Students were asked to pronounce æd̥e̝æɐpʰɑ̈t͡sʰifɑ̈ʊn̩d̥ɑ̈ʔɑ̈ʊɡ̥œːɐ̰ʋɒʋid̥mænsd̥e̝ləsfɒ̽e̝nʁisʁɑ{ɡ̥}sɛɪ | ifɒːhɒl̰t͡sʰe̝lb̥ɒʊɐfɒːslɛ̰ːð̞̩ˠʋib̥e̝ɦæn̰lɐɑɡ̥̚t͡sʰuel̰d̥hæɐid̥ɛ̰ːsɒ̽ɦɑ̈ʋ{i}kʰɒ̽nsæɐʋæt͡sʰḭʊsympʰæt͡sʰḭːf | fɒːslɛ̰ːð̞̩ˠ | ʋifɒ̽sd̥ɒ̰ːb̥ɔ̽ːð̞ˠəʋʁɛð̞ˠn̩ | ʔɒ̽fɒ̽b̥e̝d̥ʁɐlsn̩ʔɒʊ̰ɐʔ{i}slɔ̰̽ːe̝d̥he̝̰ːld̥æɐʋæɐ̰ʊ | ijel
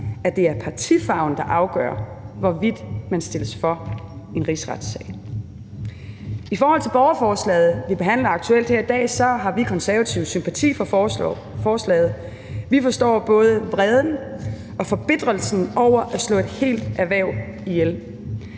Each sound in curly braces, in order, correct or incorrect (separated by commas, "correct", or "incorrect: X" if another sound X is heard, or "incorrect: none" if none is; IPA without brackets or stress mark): incorrect: d̥, correct, incorrect: æ